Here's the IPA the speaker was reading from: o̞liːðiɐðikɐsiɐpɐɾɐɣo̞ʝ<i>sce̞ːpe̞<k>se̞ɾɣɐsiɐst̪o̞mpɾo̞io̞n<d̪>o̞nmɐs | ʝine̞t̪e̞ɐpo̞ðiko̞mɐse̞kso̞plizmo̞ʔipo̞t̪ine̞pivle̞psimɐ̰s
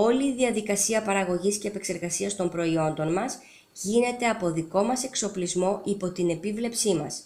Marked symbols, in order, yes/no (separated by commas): yes, yes, yes